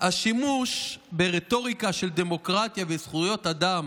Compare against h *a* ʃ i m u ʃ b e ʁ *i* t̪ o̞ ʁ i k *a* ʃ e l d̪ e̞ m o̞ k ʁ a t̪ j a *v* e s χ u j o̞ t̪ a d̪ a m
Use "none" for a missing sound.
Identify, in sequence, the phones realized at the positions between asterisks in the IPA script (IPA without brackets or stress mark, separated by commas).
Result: a, e, a, v